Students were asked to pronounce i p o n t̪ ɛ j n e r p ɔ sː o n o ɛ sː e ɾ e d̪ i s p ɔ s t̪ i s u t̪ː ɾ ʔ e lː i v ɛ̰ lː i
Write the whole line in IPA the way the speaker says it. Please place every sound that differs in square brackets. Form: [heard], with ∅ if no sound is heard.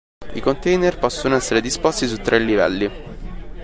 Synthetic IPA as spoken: i [k] o n t̪ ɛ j n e r p ɔ sː o n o ɛ sː e ɾ e d̪ i s p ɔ s t̪ i s u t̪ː ɾ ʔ e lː i v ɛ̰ lː i